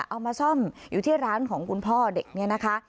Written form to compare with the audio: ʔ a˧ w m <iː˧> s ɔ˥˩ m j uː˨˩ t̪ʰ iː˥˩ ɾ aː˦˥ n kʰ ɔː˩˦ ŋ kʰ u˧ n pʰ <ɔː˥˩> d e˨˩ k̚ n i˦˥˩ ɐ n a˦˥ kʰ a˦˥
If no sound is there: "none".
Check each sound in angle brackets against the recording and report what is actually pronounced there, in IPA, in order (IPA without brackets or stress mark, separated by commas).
aː˧, ɔː˥˩